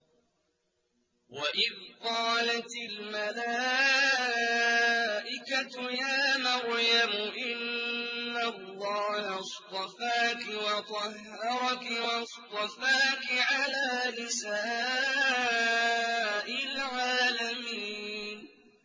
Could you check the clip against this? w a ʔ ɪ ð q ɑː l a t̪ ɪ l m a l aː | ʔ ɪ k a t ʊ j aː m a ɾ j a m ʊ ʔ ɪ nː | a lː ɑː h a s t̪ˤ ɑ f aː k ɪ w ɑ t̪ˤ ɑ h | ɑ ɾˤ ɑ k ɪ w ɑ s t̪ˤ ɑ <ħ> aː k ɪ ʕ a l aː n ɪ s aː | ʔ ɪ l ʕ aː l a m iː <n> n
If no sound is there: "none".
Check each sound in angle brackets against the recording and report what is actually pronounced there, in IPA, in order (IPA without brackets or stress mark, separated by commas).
f, n